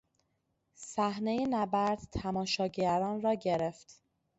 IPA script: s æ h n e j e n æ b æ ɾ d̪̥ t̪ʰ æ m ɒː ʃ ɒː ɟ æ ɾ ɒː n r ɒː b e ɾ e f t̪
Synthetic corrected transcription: s æ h n e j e n æ b æ ɾ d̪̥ t̪ʰ æ m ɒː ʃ ɒː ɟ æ ɾ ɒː n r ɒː ɟ e ɾ e f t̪